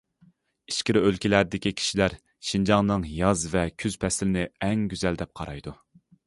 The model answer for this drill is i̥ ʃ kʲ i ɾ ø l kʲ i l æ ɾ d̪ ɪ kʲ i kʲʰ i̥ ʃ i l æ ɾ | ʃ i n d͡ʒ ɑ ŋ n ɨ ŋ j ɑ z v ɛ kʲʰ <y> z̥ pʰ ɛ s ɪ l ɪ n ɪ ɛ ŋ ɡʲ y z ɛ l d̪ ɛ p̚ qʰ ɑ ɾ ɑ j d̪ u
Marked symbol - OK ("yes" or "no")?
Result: yes